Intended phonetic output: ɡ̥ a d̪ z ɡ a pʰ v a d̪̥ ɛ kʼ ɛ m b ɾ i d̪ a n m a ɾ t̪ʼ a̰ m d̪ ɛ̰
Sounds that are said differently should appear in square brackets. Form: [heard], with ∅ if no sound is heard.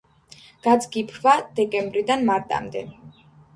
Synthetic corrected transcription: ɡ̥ a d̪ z ɡ [i] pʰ v a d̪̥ ɛ kʼ ɛ m b ɾ i d̪ a n m a ɾ t̪ʼ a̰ m d̪ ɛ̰